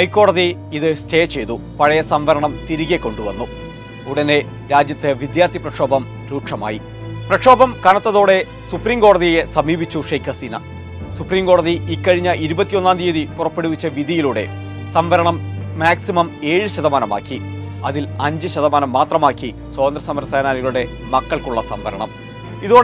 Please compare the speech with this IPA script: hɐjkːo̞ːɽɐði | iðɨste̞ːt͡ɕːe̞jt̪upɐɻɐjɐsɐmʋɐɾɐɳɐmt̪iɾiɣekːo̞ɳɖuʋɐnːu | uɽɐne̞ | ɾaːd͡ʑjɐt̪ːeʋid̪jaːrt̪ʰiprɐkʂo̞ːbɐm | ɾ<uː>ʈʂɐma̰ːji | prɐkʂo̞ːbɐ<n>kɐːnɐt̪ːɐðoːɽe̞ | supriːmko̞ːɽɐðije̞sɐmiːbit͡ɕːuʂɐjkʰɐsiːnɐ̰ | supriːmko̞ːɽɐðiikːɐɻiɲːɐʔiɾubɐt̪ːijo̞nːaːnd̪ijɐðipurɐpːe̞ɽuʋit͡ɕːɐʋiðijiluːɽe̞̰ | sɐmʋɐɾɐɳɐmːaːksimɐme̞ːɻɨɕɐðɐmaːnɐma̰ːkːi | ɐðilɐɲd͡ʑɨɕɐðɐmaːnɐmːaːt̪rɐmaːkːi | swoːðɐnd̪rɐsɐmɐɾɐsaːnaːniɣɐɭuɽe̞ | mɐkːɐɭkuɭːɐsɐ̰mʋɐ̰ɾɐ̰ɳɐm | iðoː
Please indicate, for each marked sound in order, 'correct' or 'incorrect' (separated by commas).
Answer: correct, incorrect